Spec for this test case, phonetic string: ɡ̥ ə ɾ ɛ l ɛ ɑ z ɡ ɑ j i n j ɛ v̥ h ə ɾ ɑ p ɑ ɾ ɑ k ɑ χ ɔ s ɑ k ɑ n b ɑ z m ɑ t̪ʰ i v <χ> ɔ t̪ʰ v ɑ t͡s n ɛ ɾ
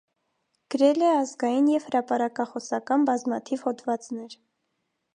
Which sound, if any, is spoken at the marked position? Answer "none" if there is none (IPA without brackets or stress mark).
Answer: h